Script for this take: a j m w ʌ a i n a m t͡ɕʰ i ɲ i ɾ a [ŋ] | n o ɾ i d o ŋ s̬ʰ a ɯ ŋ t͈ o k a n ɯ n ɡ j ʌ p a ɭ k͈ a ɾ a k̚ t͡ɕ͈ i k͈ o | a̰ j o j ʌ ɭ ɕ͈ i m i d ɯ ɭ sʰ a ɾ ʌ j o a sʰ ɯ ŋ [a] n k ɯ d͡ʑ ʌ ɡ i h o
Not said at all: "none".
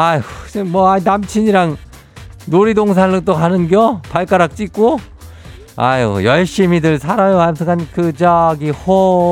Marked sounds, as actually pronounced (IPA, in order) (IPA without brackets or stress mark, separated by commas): ŋ, a